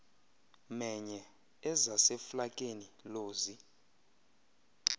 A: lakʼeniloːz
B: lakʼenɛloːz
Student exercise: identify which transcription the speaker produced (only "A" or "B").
A